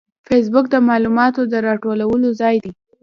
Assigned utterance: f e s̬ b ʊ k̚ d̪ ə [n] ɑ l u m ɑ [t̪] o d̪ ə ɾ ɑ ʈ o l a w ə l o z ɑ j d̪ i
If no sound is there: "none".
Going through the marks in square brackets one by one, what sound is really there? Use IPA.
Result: m, t̪

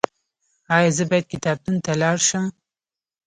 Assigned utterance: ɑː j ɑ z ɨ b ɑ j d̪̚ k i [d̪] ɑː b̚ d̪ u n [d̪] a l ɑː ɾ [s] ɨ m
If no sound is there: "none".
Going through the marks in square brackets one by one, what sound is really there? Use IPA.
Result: t̪, t̪, ʃ

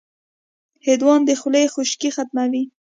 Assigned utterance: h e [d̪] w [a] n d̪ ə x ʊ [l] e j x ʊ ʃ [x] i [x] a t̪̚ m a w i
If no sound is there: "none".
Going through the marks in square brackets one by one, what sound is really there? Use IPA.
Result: d̪, ɑ, l, k, x

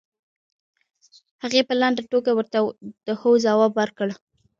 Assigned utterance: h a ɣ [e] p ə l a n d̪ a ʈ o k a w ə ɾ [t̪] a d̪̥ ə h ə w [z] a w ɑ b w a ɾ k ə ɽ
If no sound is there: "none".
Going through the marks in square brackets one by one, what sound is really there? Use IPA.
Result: e, t̪, z

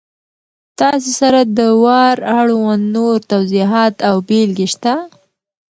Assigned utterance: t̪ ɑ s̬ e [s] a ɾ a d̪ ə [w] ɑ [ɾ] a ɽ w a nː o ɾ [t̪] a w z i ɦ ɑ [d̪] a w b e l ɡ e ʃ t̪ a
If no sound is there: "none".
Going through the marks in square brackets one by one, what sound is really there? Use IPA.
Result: s, w, ɾ, t̪, t̪

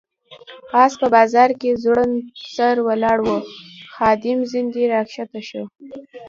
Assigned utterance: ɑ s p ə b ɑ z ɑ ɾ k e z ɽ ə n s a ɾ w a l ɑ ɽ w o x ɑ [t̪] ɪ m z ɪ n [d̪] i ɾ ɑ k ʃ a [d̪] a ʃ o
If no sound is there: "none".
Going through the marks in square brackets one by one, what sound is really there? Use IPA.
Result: d̪, d̪, t̪

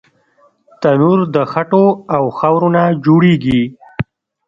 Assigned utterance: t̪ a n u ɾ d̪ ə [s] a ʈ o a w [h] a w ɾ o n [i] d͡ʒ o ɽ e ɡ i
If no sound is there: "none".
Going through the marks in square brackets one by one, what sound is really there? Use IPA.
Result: x, x, a

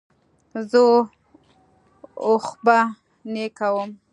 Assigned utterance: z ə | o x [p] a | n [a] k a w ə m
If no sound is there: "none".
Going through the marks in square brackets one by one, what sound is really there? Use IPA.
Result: b, e

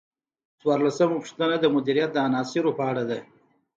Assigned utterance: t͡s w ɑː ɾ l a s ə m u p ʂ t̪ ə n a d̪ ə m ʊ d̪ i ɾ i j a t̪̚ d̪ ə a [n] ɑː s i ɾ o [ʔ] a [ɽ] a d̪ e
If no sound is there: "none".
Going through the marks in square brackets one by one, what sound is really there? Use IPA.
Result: n, p, ɽ

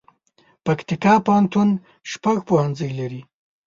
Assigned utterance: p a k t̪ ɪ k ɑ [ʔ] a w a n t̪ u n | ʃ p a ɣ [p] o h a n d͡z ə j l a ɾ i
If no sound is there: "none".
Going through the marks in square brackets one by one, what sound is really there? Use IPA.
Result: p, p

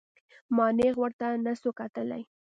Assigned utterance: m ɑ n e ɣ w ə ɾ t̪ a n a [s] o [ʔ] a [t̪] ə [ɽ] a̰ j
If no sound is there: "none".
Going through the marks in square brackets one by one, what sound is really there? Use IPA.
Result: s, k, t̪, l

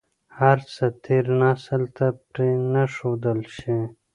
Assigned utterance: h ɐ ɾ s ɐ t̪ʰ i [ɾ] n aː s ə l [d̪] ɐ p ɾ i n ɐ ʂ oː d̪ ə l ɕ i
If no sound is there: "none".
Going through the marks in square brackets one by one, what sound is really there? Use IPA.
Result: ɾ, t̪

